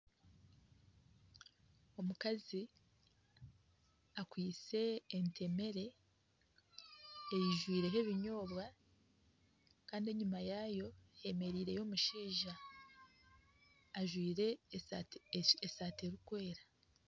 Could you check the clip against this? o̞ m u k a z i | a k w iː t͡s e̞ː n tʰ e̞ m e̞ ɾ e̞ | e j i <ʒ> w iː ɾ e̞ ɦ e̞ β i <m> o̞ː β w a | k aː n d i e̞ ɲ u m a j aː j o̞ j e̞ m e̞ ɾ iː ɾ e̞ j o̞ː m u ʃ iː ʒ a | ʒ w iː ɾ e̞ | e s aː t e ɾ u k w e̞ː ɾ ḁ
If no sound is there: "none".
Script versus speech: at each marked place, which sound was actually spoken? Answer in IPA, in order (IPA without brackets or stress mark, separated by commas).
ʒ, ɲ